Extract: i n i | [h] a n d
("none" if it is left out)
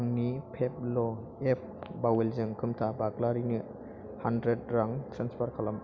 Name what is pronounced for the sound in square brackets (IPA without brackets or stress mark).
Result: h